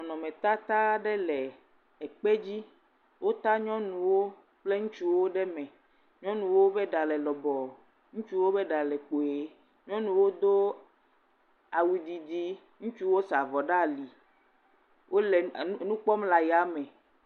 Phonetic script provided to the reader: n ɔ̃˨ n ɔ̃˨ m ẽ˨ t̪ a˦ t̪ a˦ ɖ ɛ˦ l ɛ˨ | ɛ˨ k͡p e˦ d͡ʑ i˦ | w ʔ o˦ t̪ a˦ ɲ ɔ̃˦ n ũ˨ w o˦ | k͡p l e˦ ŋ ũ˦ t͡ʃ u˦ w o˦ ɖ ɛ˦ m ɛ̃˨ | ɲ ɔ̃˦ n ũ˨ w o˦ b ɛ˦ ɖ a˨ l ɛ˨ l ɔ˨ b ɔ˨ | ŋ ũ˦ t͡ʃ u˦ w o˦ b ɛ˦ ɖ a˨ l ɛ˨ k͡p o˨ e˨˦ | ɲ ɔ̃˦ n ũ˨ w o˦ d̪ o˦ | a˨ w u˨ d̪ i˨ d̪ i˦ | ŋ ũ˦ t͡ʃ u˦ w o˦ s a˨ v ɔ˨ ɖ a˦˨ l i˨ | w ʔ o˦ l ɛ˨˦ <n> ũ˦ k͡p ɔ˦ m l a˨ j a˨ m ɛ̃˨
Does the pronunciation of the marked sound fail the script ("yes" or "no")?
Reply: no